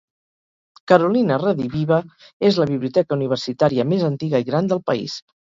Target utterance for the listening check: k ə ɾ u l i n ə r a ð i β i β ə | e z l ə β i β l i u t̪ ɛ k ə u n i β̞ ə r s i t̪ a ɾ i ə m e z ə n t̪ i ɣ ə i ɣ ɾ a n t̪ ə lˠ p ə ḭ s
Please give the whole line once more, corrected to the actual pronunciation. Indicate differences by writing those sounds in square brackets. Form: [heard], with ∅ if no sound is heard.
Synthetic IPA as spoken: k ə ɾ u l i n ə r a ð i β i β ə | e z l ə β i β l i u t̪ ɛ k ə u n i β̞ ə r s i t̪ a ɾ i ə m e z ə n t̪ i ɣ ə i ɣ ɾ a n [d̪] ə lˠ p ə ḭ s